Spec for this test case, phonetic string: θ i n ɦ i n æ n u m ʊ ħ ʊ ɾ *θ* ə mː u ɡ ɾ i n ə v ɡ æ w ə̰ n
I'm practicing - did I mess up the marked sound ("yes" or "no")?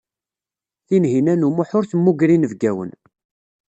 no